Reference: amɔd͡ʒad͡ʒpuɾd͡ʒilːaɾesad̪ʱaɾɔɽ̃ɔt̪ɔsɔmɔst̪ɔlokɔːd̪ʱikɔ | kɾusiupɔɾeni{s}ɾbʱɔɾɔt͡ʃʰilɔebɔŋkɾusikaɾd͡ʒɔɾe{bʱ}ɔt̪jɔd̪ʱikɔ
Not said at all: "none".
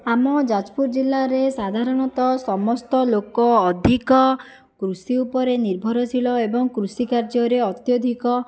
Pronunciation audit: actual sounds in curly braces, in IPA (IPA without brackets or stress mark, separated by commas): none, none